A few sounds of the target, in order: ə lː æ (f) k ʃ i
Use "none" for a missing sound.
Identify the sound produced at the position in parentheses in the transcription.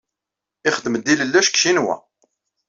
ʃ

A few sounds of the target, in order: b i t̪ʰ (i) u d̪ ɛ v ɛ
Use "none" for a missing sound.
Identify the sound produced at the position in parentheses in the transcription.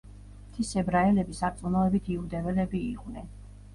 i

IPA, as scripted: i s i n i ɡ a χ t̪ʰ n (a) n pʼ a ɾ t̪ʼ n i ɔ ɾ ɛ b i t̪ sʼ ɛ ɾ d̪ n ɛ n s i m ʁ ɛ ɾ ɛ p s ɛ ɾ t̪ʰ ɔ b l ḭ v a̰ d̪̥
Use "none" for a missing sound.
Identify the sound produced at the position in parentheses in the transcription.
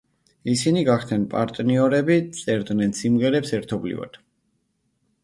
ɛ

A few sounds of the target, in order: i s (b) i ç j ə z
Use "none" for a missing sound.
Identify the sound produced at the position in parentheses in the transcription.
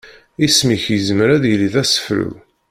m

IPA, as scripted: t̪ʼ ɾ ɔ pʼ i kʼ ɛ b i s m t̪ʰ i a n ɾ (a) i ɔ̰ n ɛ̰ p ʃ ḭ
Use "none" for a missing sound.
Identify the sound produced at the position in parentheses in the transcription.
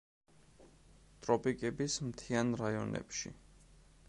a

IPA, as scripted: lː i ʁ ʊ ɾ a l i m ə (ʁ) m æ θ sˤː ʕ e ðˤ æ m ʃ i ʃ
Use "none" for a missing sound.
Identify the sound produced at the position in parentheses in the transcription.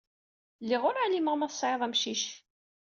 ʁ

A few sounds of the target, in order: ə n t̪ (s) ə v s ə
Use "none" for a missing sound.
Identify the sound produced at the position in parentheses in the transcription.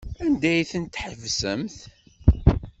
ħ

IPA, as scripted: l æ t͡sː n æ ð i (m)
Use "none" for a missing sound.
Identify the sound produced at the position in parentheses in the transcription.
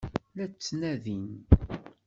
n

